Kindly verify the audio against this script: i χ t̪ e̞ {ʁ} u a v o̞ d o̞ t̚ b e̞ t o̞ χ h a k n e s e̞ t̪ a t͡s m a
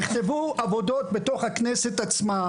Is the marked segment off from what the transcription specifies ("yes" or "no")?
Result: yes